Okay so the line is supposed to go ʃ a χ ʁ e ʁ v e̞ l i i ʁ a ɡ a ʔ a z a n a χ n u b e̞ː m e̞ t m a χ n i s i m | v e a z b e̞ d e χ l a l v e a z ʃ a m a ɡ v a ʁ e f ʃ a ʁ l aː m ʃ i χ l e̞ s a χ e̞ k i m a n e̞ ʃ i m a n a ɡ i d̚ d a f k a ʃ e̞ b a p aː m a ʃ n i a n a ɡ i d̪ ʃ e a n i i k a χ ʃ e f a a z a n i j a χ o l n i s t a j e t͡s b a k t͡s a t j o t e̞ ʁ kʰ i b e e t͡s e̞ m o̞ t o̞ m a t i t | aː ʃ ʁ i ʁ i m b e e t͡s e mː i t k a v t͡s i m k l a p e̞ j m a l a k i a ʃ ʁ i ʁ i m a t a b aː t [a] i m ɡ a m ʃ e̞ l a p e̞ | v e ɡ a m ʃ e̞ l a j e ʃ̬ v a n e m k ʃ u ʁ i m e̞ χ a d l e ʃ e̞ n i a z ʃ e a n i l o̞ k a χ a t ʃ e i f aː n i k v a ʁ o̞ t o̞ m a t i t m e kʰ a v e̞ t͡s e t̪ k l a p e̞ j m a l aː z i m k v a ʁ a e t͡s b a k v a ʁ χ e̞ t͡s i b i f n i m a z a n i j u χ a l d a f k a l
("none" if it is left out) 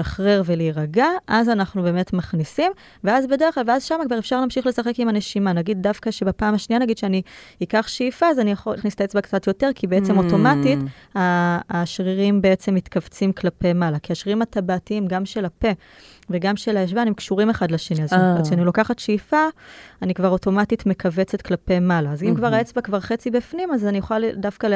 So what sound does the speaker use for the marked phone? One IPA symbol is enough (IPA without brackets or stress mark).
i